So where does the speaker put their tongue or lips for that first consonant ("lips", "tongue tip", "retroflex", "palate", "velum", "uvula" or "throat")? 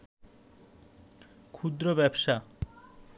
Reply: velum